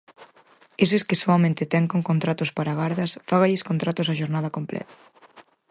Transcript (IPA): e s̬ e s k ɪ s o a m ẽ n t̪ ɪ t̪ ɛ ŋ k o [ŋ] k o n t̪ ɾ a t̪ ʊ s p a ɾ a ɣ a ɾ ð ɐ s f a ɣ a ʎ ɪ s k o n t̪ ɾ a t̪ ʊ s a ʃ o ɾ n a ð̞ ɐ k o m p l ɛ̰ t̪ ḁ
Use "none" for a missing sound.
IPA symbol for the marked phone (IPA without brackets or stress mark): ŋ